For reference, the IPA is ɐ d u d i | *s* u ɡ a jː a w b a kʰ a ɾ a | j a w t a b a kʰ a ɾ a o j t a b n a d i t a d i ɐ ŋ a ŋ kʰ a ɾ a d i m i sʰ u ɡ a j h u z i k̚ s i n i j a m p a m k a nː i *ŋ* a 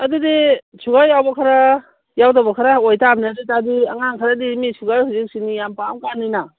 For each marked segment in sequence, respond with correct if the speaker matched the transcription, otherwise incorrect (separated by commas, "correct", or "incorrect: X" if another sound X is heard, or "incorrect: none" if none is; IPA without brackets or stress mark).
correct, incorrect: n